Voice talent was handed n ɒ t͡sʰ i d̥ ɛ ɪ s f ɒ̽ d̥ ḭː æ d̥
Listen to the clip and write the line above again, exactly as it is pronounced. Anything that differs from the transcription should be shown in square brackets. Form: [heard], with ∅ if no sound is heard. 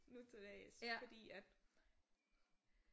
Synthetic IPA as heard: n [u] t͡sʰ [e] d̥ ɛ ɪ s f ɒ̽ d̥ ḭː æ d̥

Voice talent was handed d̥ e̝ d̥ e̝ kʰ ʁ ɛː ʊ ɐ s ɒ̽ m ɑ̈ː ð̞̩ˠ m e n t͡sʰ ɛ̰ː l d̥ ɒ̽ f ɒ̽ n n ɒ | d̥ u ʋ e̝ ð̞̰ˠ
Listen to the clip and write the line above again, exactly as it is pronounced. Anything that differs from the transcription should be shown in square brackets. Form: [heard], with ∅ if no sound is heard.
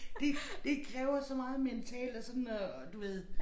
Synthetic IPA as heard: d̥ e̝ d̥ e̝ kʰ ʁ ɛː ʊ ɐ s ɒ̽ m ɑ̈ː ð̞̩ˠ m e n t͡sʰ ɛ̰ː l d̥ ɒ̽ [s] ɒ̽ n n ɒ | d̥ u ʋ e̝ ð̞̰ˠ

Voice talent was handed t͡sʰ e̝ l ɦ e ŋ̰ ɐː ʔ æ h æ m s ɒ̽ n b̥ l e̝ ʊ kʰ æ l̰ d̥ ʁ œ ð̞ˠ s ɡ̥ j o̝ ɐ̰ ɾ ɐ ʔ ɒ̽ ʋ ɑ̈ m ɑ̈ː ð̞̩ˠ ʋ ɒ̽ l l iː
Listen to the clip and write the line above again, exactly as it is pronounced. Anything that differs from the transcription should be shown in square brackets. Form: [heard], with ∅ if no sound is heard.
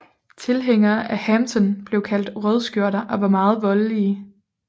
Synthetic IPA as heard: t͡sʰ e̝ l ɦ e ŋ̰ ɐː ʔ æ h æ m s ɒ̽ n b̥ l e̝ ʊ kʰ æ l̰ d̥ ʁ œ ð̞ˠ s ɡ̥ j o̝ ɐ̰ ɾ ɐ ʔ ɒ̽ ʋ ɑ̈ m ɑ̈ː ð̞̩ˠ ʋ ɒ̽ l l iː

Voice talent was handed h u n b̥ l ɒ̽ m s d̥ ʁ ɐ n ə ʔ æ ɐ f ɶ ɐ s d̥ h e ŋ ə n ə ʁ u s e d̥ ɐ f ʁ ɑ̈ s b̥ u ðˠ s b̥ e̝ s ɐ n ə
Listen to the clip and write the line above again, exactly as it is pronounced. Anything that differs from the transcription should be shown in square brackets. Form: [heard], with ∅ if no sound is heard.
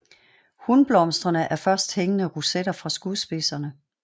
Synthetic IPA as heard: h u n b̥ l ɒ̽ m s d̥ ʁ ɐ n ə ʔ æ ɐ f ɶ ɐ s d̥ h e ŋ ə n ə ʁ u s e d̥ ɐ f ʁ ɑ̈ s [ɡ̥] u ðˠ s b̥ e̝ s ɐ n ə

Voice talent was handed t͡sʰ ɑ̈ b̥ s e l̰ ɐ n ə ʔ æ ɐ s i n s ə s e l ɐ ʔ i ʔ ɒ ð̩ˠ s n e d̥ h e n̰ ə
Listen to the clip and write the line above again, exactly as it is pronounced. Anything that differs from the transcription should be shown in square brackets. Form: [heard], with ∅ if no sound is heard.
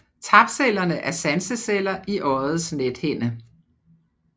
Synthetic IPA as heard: t͡sʰ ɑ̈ b̥ s e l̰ ɐ n ə ʔ æ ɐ s [æ] n s ə s e l ɐ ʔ i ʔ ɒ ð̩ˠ s n e d̥ h e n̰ ə

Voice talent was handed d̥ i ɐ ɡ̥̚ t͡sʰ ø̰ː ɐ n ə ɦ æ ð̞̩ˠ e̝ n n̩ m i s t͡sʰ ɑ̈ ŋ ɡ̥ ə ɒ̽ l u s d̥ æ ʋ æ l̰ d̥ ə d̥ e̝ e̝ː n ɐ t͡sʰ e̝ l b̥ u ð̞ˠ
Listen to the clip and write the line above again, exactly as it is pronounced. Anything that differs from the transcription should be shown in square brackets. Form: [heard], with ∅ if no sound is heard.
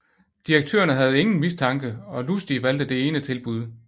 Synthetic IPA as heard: d̥ i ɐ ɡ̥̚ t͡sʰ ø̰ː ɐ n ə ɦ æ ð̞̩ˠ e̝ [ŋ] n̩ m i s t͡sʰ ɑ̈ ŋ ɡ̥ ə ɒ̽ l u s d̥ [i] ʋ æ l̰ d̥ ə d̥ e̝ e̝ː n [ə] t͡sʰ e̝ l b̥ u ð̞ˠ

